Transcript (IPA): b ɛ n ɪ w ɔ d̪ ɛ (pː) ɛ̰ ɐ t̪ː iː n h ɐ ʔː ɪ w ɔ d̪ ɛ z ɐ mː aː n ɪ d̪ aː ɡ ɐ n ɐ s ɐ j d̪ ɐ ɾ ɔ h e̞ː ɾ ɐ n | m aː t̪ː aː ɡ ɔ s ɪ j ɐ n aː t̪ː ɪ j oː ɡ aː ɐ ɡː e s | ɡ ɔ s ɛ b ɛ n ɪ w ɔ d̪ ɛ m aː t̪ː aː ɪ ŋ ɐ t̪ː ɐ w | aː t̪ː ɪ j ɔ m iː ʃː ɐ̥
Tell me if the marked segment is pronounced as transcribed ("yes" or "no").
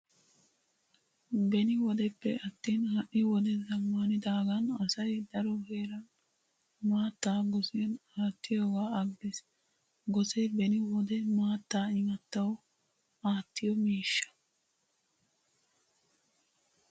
yes